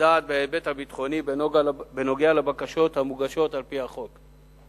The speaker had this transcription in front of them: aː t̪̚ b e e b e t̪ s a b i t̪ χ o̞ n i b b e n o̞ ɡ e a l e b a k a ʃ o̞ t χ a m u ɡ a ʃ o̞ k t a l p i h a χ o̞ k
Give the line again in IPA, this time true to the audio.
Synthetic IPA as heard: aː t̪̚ b e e b e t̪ h a b i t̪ χ o̞ n i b b e n o̞ ɡ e a l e b a k a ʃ o̞ t h a m u ɡ a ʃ o̞ t a l p i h a χ o̞ k